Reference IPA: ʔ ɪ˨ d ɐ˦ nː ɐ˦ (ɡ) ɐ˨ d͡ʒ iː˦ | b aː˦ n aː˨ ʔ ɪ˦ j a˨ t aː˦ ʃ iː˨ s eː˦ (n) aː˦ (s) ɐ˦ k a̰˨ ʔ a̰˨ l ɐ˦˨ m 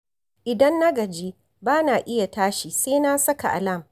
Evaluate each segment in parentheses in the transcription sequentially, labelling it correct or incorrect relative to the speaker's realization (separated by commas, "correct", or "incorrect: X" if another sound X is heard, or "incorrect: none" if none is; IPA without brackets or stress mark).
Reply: correct, correct, correct